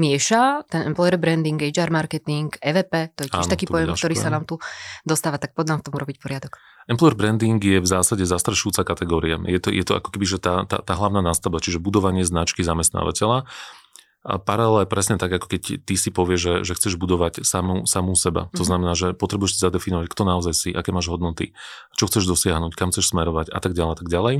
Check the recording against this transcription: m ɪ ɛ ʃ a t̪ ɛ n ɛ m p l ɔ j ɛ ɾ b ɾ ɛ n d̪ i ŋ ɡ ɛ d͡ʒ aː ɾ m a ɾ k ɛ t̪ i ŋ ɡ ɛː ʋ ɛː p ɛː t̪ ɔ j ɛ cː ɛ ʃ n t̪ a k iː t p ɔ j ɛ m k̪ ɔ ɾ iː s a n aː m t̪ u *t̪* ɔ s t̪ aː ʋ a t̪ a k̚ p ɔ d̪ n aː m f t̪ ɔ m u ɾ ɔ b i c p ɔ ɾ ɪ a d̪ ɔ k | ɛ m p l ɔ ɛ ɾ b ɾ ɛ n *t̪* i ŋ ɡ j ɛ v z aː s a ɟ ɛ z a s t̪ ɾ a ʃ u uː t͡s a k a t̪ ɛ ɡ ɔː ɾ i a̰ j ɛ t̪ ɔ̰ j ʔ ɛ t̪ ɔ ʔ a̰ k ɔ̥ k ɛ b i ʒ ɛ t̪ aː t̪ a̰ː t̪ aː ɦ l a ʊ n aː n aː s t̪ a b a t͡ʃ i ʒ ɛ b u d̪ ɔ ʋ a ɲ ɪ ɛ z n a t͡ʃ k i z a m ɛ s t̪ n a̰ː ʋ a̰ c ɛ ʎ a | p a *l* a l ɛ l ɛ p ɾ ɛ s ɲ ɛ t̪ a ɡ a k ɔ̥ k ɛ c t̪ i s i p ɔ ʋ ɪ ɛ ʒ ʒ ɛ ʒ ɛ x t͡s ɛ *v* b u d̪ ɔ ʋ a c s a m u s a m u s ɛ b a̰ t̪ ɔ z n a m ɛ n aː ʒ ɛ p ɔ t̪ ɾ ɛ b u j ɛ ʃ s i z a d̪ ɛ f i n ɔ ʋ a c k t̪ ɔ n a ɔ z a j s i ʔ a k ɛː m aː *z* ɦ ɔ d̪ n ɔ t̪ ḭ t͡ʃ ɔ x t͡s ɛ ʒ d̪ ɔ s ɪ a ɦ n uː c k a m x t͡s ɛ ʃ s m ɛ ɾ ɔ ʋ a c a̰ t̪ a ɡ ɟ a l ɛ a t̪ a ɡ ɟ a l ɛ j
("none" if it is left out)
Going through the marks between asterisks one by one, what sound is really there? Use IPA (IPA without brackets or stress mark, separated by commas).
d̪, d̪, ɾ, ʒ, ʒ